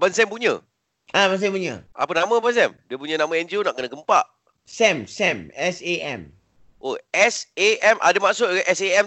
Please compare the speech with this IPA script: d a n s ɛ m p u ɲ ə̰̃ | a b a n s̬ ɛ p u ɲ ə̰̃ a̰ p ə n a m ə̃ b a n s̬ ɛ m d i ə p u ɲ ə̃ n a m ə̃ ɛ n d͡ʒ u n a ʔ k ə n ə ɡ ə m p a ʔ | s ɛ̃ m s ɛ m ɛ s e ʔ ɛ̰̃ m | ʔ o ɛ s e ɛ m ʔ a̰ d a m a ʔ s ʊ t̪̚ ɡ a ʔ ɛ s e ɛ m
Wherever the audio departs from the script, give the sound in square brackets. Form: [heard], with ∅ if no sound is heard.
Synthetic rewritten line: [b] a n s ɛ m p u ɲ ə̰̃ | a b a n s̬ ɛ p u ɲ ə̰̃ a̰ p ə n a m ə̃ b a n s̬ ɛ m d i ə p u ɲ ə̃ n a m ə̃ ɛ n d͡ʒ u n a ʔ k ə n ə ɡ ə m p a ʔ | s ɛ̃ m s ɛ m ɛ s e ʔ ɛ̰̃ m | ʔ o ɛ s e ɛ m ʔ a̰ d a m a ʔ s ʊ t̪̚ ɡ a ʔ ɛ s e ɛ m